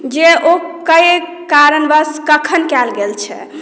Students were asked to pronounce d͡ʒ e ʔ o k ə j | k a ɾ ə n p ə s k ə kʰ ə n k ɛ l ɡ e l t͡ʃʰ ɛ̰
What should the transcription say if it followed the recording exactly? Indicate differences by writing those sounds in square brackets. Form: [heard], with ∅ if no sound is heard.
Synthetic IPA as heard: d͡ʒ e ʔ o k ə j | k a ɾ ə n [b] ə s k ə kʰ ə n k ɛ l ɡ e l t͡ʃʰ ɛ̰